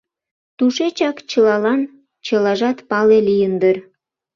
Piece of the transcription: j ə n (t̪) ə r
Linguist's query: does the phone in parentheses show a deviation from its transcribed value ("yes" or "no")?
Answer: yes